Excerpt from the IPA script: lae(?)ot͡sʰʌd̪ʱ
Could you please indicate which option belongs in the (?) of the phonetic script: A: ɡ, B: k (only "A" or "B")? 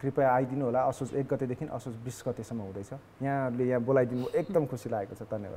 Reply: B